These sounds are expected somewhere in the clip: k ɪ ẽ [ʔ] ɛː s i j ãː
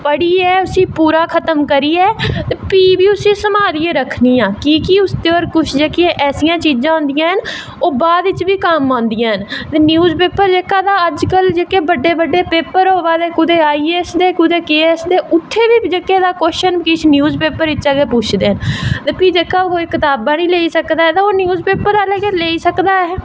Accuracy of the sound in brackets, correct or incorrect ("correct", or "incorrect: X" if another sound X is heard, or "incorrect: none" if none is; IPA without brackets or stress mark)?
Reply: correct